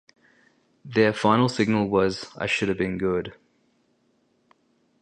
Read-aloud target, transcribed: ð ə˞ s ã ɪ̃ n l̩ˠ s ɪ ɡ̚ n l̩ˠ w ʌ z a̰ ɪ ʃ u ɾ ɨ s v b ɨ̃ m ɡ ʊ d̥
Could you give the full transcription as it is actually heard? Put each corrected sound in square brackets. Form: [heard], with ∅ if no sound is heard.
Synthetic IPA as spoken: ð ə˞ [f] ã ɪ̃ n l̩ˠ s ɪ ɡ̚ n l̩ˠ w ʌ z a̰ ɪ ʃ [ʊ] ɾ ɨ [∅] v b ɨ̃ [n] ɡ ʊ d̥